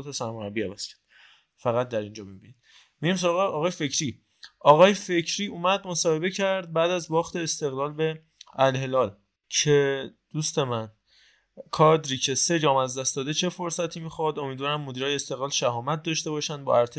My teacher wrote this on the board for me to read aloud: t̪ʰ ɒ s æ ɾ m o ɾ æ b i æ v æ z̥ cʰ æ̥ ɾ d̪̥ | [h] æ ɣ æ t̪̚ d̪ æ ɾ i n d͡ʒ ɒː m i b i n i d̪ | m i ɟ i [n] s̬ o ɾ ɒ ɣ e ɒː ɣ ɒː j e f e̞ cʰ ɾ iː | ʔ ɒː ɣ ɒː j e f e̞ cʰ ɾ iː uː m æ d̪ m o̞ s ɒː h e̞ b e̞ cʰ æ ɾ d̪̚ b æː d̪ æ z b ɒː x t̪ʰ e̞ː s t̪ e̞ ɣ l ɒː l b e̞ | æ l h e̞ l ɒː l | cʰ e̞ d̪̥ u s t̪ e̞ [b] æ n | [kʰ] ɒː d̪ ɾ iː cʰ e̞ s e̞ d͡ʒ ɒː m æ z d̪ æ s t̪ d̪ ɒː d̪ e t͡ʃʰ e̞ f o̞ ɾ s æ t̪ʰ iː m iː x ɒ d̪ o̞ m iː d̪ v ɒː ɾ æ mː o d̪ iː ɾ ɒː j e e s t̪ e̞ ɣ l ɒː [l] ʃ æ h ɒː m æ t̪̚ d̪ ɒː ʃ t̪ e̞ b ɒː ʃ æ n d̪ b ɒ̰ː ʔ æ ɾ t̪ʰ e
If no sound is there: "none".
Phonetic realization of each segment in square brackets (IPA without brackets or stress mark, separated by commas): f, m, m, kʰ, l